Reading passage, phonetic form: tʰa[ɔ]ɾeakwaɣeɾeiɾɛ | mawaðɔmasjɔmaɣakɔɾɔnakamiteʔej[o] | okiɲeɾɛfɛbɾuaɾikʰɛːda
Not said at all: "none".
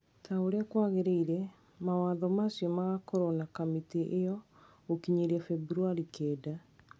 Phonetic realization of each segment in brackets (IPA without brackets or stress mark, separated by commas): o, ɔ